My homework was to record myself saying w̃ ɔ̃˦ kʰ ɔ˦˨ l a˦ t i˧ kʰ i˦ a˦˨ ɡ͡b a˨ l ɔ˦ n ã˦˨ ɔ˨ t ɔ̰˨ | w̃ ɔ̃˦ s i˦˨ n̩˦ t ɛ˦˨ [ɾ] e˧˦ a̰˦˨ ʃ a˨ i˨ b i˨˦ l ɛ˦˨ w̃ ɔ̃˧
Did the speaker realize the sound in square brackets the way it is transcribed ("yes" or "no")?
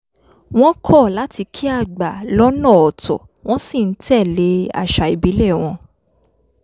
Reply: no